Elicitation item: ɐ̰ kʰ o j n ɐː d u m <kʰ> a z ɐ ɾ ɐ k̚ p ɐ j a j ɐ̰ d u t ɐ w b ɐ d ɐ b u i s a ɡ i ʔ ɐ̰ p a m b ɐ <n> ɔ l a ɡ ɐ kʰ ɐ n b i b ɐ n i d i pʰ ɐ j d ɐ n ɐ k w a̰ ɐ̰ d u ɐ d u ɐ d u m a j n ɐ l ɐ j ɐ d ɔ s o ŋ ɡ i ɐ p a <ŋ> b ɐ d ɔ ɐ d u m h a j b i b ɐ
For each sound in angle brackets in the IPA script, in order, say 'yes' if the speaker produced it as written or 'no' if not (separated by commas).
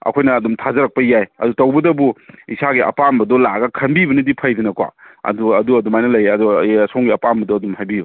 no, no, no